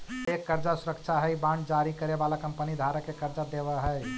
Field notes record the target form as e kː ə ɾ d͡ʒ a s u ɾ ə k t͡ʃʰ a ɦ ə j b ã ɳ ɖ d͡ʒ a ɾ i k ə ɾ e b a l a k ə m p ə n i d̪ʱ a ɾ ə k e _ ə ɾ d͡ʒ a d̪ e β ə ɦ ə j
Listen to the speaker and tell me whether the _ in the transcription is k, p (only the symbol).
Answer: k